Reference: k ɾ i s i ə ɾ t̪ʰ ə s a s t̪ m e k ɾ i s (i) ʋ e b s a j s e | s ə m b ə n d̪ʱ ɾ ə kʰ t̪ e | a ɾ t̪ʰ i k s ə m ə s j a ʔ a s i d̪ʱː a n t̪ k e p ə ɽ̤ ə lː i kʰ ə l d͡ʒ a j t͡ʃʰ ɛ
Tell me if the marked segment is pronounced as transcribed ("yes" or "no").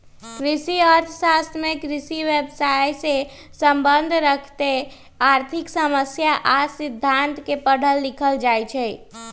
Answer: yes